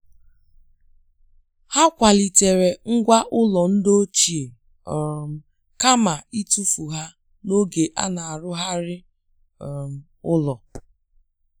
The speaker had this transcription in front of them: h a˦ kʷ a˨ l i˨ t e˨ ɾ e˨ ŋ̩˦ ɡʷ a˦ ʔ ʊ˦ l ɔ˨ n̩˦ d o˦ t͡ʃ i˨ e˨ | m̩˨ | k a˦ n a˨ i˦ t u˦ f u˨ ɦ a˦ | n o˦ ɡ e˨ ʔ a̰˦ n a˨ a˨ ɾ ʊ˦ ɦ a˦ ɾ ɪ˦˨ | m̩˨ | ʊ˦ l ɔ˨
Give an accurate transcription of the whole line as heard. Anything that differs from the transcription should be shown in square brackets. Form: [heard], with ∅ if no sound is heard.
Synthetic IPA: h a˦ kʷ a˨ l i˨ t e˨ ɾ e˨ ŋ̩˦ ɡʷ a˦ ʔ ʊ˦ l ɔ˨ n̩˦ d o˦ t͡ʃ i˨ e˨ | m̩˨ | k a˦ [m] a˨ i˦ t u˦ f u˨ ɦ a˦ | n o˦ ɡ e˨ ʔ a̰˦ n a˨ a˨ ɾ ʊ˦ ɦ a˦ ɾ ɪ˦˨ | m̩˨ | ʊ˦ l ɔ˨